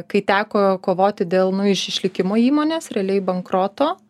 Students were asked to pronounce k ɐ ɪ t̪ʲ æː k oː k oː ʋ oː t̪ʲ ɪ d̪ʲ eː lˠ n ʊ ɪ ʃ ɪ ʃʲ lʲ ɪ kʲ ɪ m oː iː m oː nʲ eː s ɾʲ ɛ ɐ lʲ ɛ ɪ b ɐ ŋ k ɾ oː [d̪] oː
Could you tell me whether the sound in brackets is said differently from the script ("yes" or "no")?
yes